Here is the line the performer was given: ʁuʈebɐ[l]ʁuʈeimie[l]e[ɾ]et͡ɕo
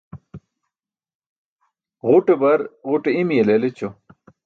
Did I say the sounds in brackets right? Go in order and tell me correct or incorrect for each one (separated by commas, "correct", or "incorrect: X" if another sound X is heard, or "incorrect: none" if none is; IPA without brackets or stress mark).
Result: incorrect: ɾ, correct, incorrect: l